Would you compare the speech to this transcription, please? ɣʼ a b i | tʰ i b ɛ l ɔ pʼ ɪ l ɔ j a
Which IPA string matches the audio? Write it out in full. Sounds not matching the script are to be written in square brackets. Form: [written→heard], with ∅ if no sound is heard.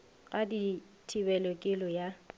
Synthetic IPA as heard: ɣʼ a [b→d] i | tʰ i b ɛ l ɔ [pʼ→kʼ] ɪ l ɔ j a